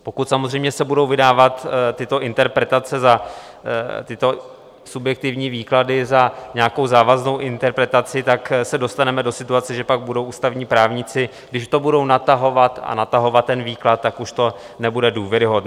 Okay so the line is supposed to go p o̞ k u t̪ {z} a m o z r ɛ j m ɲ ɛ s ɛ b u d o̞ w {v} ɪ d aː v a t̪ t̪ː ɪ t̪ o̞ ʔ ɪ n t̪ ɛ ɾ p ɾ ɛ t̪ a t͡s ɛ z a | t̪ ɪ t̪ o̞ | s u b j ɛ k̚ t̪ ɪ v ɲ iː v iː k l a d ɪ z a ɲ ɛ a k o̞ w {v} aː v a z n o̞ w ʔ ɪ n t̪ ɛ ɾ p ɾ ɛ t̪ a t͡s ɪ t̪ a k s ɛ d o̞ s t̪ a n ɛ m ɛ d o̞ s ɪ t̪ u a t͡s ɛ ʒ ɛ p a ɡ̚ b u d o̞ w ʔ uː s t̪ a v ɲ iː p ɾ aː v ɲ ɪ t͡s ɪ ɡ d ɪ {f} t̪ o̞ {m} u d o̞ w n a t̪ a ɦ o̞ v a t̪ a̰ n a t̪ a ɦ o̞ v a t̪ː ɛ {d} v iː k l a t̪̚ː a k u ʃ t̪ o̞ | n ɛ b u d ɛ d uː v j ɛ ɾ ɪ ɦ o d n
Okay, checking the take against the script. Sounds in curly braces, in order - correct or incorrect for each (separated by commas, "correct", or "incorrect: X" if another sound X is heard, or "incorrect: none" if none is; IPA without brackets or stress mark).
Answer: incorrect: s, correct, incorrect: z, incorrect: ʃ, incorrect: b, incorrect: n